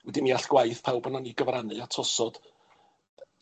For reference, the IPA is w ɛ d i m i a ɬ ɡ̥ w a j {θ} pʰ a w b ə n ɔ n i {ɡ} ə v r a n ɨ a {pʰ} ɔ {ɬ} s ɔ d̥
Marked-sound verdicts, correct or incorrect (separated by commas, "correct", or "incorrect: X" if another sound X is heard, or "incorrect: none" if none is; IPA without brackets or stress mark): correct, correct, incorrect: tʰ, incorrect: none